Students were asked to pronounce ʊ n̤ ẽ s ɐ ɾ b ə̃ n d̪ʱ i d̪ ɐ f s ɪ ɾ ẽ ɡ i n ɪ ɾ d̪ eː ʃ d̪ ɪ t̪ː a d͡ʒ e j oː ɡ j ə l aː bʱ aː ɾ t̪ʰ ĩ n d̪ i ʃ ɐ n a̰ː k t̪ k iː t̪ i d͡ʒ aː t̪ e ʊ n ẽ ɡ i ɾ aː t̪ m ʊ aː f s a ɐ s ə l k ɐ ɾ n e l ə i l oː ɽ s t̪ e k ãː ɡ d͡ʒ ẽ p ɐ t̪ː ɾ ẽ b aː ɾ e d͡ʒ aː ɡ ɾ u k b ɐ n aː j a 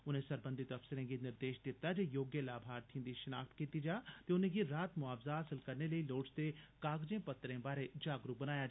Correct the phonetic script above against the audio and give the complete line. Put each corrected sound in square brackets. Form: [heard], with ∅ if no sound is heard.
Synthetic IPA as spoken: ʊ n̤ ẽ s ɐ ɾ b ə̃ n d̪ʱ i [t̪] ɐ f s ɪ ɾ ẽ ɡ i n ɪ ɾ d̪ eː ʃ d̪ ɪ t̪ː a d͡ʒ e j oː ɡ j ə l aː bʱ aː ɾ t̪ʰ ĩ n d̪ i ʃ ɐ n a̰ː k t̪ k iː t̪ i d͡ʒ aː t̪ e ʊ n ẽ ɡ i ɾ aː t̪ m ʊ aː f [z] a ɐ s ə l k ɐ ɾ n e l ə i l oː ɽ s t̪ e k [aː] ɡ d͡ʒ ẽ p ɐ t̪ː ɾ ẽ b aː ɾ e d͡ʒ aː ɡ ɾ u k b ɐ n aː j a